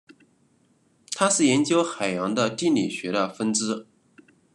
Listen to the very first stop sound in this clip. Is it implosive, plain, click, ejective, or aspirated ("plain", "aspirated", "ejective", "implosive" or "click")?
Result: aspirated